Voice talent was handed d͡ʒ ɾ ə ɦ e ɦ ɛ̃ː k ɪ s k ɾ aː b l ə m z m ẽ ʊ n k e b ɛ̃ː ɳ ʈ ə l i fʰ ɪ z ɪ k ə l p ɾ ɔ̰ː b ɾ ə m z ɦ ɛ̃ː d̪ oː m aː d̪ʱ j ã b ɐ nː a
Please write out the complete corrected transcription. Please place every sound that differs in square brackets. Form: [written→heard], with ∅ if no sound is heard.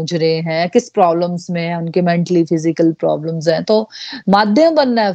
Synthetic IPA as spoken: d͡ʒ ɾ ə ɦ e ɦ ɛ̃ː k ɪ s [k→p] ɾ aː b l ə m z m ẽ ʊ n k e [b→m] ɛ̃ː ɳ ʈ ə l i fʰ ɪ z ɪ k ə l p ɾ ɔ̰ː b [ɾ→l] ə m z ɦ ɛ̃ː [d̪→t̪] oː m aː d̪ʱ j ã b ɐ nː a